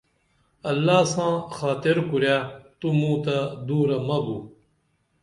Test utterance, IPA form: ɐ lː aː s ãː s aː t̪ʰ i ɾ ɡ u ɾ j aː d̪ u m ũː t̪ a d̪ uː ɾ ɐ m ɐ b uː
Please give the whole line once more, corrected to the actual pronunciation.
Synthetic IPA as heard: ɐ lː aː s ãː x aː t̪ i ɾ k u ɾ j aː t̪ u m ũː t̪ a d̪ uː ɾ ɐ m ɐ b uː